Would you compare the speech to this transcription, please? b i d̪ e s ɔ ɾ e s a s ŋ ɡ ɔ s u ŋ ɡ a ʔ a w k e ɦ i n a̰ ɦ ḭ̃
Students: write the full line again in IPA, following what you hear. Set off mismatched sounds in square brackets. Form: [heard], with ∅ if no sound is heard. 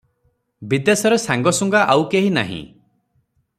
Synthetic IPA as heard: b i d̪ e s ɔ ɾ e s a [∅] ŋ ɡ ɔ s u ŋ ɡ a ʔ a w k e ɦ i n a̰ ɦ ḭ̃